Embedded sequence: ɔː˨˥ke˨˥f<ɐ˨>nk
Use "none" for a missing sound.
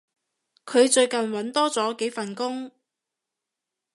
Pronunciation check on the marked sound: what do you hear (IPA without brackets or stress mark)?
ɐ˨